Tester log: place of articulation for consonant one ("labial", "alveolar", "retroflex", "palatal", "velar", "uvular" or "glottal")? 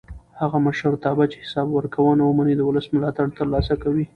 glottal